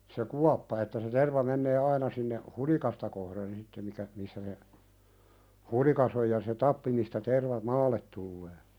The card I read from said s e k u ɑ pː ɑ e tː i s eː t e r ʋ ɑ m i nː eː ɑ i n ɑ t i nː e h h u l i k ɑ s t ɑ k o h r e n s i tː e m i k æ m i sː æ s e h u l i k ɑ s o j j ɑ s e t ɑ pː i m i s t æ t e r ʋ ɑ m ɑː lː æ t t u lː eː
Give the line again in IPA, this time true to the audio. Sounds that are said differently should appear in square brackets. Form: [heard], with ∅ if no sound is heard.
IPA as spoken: s e k u ɑ pː ɑ e tː [æ] s [e] t e r ʋ ɑ m [e] nː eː ɑ i n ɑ [s] i nː e h h u l i k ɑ s t ɑ k o h r e n s i tː e m i k æ m i sː æ s e h u l i k ɑ s o j j ɑ s e t ɑ pː i m i s t æ t e r ʋ ɑ m ɑː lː [e] t t u lː eː